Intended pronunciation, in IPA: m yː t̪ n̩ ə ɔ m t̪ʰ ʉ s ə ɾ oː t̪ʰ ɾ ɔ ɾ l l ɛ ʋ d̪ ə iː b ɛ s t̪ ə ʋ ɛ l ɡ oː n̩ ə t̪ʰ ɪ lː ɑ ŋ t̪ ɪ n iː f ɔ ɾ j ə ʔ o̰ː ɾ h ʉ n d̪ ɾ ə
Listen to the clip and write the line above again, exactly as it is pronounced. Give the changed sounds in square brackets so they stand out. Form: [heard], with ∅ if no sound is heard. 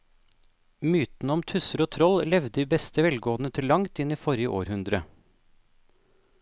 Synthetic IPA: m yː t̪ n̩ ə ɔ m t̪ʰ ʉ s ə ɾ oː t̪ʰ ɾ ɔ [∅] l l ɛ ʋ d̪ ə iː b ɛ s t̪ ə ʋ ɛ l ɡ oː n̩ ə t̪ʰ ɪ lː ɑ ŋ t̪ ɪ n iː f ɔ ɾ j ə ʔ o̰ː ɾ h ʉ n d̪ ɾ ə